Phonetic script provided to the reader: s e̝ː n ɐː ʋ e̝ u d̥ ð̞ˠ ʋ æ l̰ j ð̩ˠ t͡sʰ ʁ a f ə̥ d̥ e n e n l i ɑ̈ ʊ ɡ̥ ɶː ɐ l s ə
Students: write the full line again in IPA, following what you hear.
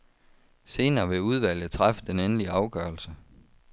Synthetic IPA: s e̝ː n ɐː ʋ e̝ u ð̞ˠ ʋ æ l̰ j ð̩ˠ t͡sʰ ʁ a f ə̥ d̥ e n e n l i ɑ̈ ʊ ɡ̥ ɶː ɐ l s ə